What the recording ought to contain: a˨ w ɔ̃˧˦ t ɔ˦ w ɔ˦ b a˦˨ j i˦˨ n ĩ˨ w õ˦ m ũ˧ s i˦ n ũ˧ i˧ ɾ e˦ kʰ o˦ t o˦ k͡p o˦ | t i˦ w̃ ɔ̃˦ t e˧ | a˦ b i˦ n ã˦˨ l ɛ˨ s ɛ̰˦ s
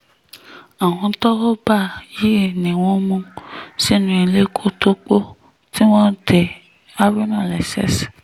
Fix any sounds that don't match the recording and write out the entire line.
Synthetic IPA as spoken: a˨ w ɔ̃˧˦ t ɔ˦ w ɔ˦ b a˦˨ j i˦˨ n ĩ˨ w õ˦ m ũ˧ s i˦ n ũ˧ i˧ l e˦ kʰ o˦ t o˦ k͡p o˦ | t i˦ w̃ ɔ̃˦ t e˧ | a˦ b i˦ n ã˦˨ l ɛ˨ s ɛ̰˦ s